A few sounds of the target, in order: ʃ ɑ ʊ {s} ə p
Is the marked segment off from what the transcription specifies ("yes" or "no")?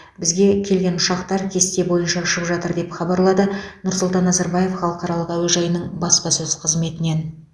yes